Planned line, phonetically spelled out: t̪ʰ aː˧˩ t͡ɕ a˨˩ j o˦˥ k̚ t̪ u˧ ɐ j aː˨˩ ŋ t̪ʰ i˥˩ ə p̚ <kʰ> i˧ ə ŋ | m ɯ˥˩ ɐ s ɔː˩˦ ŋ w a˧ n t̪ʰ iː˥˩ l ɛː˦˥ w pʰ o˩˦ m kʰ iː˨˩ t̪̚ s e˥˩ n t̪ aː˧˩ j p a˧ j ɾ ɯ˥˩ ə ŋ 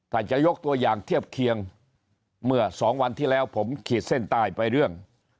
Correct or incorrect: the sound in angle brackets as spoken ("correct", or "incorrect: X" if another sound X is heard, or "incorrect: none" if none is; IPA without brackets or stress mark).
correct